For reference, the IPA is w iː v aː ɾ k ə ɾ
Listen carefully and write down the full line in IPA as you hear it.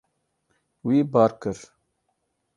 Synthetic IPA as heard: w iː b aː ɾ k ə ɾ